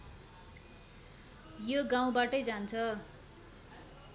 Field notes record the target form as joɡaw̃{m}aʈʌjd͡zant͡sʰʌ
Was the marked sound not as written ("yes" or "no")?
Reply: yes